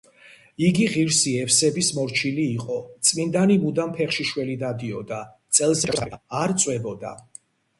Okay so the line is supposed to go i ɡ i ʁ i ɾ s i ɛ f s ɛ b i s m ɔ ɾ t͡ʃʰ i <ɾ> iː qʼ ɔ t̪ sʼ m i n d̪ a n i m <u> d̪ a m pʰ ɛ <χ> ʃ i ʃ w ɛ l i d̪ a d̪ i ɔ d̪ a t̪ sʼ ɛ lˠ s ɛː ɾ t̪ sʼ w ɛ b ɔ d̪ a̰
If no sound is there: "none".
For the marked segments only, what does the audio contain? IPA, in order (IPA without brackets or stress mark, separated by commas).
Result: l, u, χ